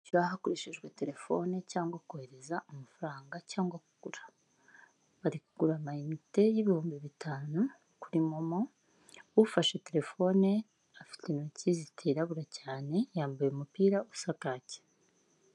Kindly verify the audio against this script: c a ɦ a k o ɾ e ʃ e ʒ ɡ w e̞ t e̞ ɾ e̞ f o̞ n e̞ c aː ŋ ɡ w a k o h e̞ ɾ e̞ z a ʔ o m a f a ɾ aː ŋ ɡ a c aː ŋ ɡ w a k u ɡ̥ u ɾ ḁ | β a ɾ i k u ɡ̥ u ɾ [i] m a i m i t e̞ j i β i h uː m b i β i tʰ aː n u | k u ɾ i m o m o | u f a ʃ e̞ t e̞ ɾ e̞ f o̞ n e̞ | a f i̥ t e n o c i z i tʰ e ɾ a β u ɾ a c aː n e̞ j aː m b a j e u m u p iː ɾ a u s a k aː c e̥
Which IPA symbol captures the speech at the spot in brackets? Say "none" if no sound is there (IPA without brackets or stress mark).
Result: a